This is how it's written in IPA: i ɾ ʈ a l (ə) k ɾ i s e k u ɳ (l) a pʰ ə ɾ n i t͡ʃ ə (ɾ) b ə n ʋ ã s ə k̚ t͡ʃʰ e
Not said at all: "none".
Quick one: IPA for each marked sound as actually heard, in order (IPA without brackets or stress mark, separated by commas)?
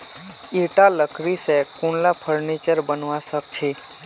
ə, l, ɾ